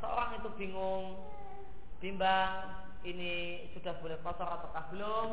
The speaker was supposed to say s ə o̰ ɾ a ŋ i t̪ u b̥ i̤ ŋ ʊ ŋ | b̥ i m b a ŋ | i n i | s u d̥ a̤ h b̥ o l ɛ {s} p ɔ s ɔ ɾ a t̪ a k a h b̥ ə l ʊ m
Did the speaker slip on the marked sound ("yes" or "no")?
yes